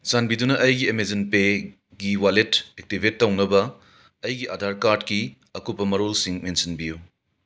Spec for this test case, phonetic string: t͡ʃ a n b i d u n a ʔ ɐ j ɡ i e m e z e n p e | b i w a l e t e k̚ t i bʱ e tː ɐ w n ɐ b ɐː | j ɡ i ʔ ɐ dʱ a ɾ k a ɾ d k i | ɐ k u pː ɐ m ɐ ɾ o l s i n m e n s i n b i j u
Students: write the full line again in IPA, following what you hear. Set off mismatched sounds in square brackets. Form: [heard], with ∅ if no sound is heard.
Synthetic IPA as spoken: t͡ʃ a n b i d u n [ɐ] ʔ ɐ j ɡ i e m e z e n p e | [ɡ] i w a l e t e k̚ t i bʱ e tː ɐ w n ɐ b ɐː | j ɡ i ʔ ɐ dʱ a ɾ k a ɾ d k i | ɐ k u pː ɐ m ɐ ɾ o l s i [ŋ] m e n s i n b i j u

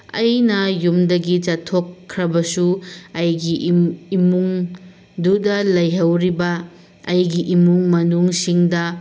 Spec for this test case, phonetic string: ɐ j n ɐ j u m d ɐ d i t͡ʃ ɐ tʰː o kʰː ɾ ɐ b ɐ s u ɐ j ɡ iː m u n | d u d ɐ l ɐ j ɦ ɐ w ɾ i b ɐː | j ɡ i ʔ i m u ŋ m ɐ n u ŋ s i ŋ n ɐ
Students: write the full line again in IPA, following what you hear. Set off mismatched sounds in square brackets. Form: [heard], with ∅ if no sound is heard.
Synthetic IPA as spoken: ɐ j n ɐ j u m d ɐ [ɡ] i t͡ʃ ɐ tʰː o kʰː ɾ ɐ b ɐ s u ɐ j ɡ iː m u [ŋ] | d u d ɐ l ɐ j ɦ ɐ w ɾ i b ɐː | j ɡ i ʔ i m u ŋ m ɐ n u ŋ s i ŋ [d] ɐ

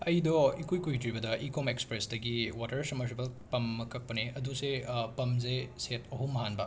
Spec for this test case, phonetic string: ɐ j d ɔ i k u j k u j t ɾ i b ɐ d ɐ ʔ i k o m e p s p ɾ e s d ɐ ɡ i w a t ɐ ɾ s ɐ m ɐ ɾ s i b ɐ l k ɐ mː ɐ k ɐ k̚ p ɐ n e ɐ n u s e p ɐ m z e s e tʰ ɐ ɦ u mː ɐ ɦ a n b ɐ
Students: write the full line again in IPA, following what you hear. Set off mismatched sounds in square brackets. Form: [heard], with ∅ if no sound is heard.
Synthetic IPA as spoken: ɐ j d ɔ i k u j k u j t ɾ i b ɐ d ɐ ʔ i k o m e [k] s p ɾ e s d ɐ ɡ i w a t ɐ ɾ s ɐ m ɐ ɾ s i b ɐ l [p] ɐ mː ɐ k ɐ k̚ p ɐ n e ɐ [d] u s e p ɐ m z e s e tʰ ɐ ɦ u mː ɐ ɦ a n b ɐ

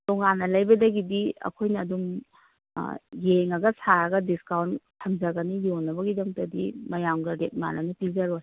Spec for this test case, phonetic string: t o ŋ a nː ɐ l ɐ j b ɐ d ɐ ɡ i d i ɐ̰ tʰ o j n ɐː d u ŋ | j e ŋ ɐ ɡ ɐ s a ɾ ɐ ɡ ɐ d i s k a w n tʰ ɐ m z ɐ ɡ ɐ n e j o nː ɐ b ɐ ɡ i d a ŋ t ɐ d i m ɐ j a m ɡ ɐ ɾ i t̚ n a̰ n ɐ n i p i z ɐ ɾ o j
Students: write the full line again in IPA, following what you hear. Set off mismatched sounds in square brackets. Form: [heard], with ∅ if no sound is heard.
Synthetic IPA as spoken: t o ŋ a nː ɐ l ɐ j b ɐ d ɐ ɡ i d i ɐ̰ [kʰ] o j n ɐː d u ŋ | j e ŋ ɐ ɡ ɐ s a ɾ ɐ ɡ ɐ d i s k a w n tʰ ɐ m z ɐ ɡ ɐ n [i] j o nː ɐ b ɐ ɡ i d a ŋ t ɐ d i m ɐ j a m ɡ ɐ ɾ [e] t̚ [m] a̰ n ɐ n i p i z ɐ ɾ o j

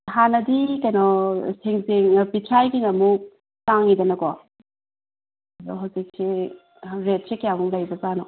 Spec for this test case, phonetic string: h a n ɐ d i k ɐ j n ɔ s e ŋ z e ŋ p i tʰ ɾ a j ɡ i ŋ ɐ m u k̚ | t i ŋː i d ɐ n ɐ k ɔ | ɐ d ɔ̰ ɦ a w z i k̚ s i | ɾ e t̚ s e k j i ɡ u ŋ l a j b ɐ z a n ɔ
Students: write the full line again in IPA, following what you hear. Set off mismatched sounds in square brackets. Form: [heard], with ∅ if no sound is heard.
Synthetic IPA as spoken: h a n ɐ d i k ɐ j n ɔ s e ŋ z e ŋ p i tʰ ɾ a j ɡ i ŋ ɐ m u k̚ | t [a] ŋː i d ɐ n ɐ k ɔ | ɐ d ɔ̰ ɦ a w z i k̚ s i | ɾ e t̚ s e k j [a] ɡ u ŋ l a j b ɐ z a n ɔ

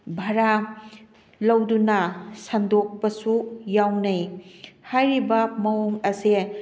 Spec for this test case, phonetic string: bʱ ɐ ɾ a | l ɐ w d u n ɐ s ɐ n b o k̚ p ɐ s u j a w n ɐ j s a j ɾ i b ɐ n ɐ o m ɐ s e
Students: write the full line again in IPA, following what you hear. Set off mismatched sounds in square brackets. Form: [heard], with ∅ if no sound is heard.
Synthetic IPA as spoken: bʱ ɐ ɾ a | l ɐ w d u n ɐ s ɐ n [d] o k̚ p ɐ s u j a w n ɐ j [h] a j ɾ i b ɐ [m] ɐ o [ŋ] ɐ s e

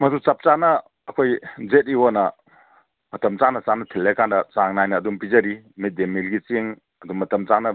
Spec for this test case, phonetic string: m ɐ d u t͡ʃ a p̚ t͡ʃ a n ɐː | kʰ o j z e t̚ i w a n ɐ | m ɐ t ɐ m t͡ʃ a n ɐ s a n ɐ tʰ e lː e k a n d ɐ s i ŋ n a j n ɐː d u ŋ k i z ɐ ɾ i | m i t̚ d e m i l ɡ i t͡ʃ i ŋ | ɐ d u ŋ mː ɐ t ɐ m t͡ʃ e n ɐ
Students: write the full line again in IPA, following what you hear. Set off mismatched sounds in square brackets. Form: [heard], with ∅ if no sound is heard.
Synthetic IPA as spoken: m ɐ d u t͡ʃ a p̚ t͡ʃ a n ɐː | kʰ o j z e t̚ i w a n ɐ | m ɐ t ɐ m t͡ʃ a n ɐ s a n ɐ tʰ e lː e k a n d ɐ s [a] ŋ n a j n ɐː d u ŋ [p] i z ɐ ɾ i | m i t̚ d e m i l ɡ i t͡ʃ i ŋ | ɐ d u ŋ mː ɐ t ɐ m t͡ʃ [a] n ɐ

